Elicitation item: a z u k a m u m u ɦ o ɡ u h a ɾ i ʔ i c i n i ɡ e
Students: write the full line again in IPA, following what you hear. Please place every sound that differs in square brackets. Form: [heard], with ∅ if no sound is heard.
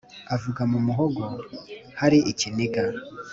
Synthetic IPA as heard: a [v] u [ɡ] a m u m u ɦ o ɡ [o] h a ɾ i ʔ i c i n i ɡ [a]